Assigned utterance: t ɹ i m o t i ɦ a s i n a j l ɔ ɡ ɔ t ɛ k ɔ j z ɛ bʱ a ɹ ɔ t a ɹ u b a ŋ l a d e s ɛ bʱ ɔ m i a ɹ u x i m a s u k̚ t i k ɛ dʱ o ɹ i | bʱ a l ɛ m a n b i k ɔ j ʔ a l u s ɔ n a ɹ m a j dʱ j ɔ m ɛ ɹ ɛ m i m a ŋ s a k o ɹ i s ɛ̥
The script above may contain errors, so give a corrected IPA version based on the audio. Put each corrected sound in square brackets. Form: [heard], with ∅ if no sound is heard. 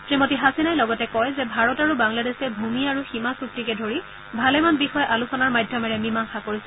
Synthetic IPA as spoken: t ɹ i m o t i ɦ a s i n a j l ɔ ɡ ɔ t ɛ k ɔ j z ɛ bʱ a ɹ ɔ t a ɹ u b a ŋ l a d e s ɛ bʱ [u] m i a ɹ u x i m a s u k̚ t i k ɛ dʱ o ɹ i | bʱ a l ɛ m a n b i [x] ɔ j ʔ a l u s ɔ n a ɹ m a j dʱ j ɔ m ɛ ɹ ɛ m i m a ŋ [x] a k o ɹ i s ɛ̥